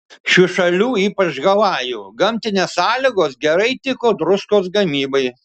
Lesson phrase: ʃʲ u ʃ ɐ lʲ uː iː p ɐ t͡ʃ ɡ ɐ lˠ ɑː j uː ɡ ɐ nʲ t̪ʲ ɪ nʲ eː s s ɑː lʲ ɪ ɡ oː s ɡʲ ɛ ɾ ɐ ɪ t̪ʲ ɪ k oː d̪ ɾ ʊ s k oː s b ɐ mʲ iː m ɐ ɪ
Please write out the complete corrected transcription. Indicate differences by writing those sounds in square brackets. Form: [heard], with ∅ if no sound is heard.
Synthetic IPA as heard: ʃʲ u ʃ ɐ lʲ uː iː p ɐ t͡ʃ ɡ ɐ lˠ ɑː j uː ɡ ɐ [mʲ] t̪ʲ ɪ nʲ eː s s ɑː lʲ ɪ ɡ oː s ɡʲ ɛ ɾ ɐ ɪ t̪ʲ ɪ k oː d̪ ɾ ʊ s k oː s [ɡ] ɐ mʲ iː [b] ɐ ɪ